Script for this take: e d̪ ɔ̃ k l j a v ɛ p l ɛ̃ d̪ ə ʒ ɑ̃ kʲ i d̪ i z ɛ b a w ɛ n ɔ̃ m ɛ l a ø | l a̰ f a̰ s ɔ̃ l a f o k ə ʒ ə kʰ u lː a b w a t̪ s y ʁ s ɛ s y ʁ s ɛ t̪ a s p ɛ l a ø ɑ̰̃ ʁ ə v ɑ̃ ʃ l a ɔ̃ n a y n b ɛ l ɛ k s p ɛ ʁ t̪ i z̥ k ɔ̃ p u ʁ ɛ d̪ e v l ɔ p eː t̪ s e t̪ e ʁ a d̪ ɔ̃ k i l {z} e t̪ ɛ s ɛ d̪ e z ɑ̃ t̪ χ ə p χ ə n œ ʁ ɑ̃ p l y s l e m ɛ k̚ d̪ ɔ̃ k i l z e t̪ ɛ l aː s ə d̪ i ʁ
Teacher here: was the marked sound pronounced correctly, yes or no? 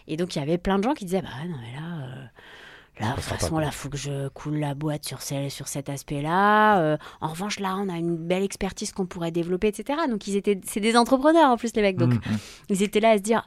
yes